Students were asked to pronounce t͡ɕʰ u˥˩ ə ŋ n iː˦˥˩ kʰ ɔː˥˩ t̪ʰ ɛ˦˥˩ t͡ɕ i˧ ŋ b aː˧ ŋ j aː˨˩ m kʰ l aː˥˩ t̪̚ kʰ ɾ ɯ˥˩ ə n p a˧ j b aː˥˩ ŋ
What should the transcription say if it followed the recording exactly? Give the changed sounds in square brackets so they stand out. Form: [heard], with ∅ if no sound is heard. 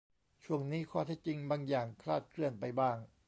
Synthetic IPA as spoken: t͡ɕʰ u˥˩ ə ŋ n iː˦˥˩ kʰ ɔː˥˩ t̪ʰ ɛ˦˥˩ t͡ɕ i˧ ŋ b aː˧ ŋ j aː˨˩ [ŋ] kʰ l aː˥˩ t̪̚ kʰ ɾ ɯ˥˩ ə n p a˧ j b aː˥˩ ŋ